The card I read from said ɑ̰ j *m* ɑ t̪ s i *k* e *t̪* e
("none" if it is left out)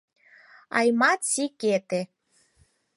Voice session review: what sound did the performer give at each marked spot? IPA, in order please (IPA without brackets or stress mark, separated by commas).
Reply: m, k, t̪